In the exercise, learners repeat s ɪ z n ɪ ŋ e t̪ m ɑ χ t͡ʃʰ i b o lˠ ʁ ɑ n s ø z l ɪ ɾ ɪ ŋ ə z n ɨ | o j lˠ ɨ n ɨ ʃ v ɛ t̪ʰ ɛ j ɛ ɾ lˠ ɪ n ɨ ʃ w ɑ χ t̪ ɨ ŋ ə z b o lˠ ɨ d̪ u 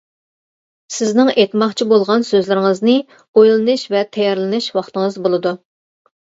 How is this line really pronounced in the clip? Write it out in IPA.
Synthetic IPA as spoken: s ɪ z n ɪ ŋ e t̪ m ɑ χ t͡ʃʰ i b o lˠ ʁ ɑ n s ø z l ɪ ɾ ɪ ŋ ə z n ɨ | o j lˠ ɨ n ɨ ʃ v ɛ t̪ʰ ɛ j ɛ ɾ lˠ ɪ n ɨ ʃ w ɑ χ t̪ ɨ ŋ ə z b o lˠ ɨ d̪ u